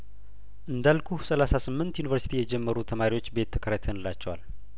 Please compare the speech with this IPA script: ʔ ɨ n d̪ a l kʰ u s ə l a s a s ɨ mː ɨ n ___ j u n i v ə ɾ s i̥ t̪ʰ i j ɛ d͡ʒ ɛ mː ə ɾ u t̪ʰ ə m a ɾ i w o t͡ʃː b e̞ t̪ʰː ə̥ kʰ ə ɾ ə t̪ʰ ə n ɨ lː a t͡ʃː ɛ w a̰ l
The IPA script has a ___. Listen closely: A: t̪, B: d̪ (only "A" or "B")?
A